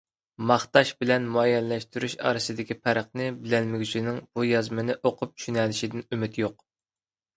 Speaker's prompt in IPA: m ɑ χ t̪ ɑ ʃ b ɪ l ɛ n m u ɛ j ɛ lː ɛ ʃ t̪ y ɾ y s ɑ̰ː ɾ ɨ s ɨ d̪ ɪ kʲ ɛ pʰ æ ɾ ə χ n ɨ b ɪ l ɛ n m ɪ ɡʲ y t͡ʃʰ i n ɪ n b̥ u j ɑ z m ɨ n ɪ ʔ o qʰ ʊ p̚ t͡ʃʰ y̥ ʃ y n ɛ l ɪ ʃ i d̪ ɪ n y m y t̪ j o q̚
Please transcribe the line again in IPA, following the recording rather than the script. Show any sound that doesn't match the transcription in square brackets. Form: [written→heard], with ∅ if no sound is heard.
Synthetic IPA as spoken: m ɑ χ t̪ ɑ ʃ b ɪ l ɛ n m u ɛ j ɛ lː ɛ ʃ t̪ y ɾ y [s→ʃ] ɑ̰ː ɾ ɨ s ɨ d̪ ɪ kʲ [ɛ→i] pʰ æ ɾ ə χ n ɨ b ɪ l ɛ n m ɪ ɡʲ y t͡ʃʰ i n ɪ [n→ŋ] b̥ u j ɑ z m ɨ n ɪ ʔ o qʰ ʊ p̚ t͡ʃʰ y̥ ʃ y n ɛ l ɪ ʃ i d̪ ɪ n y m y t̪ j o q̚